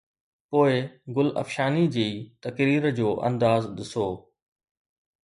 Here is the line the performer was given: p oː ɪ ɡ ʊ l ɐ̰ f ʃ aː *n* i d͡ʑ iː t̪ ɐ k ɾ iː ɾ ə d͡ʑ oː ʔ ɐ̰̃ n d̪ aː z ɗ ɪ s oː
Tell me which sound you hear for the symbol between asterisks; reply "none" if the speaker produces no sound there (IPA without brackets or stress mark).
n